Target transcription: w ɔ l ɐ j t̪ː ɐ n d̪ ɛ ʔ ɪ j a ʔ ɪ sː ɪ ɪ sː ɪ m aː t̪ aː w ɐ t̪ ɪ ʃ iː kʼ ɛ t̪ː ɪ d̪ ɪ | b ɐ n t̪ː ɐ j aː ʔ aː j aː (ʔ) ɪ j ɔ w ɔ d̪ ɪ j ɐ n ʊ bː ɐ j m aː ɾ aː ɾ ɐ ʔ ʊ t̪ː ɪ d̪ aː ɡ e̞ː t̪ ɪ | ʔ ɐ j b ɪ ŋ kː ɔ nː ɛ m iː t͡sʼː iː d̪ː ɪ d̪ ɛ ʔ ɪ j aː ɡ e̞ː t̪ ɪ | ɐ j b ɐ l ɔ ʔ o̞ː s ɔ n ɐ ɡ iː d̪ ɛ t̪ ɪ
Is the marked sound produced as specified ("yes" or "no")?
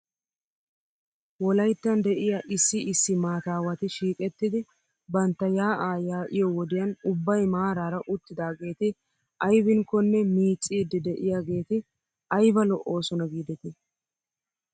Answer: yes